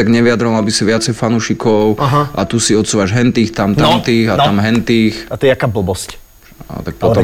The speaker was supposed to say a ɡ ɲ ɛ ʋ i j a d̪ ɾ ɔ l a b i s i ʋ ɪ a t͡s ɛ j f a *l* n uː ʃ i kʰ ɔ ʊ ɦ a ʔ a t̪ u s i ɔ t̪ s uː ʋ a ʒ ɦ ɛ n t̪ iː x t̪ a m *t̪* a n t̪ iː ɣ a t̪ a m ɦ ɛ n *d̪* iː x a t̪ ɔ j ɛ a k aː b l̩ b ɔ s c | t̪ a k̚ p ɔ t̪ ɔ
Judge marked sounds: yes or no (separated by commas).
no, yes, no